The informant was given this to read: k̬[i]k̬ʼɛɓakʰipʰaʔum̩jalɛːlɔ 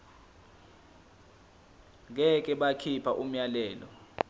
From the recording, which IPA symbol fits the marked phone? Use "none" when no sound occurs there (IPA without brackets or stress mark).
ɛ